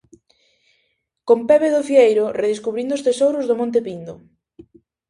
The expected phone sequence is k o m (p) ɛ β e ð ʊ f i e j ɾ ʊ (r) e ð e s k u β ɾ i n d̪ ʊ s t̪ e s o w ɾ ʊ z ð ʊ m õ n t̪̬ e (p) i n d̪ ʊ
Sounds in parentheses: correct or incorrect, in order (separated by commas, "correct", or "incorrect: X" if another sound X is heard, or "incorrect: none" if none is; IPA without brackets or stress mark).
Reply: correct, correct, correct